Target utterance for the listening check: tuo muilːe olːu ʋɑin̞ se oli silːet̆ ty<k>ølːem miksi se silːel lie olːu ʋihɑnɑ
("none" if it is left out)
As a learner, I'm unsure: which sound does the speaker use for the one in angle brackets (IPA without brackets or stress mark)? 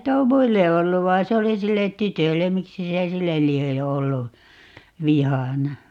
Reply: t